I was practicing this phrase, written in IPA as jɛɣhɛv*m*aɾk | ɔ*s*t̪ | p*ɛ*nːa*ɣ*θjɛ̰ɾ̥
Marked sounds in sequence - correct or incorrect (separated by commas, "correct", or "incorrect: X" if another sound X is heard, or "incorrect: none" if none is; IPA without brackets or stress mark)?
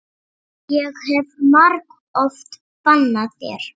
correct, incorrect: f, incorrect: a, incorrect: ð